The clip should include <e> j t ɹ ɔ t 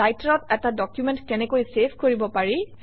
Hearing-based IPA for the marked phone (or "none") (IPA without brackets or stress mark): a